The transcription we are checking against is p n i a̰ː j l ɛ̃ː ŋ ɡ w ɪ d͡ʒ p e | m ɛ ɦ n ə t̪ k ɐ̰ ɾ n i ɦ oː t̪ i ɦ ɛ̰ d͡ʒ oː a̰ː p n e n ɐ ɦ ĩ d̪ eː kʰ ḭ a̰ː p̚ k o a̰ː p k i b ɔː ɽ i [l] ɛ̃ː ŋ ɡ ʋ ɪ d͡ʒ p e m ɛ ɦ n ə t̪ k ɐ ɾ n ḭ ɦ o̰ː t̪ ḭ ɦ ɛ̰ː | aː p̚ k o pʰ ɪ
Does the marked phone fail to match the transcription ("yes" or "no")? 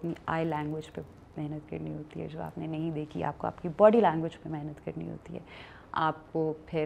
no